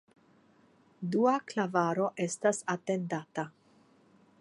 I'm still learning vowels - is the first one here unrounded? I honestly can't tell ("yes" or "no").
no